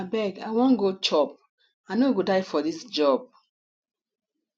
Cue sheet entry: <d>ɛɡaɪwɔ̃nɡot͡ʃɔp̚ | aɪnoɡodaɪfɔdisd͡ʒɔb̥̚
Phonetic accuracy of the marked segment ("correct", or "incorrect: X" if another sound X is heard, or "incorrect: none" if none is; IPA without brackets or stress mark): incorrect: b